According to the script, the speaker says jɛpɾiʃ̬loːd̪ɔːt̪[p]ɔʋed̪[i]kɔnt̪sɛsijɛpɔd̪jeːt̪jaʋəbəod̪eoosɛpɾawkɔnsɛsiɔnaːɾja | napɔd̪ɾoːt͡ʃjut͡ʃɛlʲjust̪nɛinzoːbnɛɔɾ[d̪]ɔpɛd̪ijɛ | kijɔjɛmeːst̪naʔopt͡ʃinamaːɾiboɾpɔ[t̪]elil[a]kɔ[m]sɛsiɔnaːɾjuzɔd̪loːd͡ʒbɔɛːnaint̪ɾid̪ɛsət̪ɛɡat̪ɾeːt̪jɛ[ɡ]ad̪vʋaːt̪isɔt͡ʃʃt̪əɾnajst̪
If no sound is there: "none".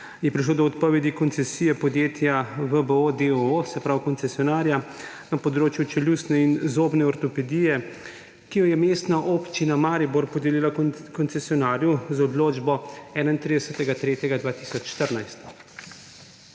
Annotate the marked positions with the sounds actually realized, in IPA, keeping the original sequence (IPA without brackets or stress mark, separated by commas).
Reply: p, i, t̪, d̪, a, n, ɡ